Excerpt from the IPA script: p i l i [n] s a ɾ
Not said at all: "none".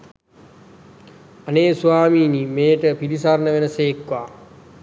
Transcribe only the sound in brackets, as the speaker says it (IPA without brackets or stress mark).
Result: none